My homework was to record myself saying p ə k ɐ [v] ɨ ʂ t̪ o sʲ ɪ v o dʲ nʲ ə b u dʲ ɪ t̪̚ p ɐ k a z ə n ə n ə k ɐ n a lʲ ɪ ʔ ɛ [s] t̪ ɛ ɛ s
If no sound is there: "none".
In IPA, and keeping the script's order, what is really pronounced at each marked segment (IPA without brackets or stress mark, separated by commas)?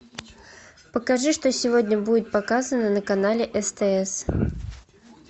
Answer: ʐ, s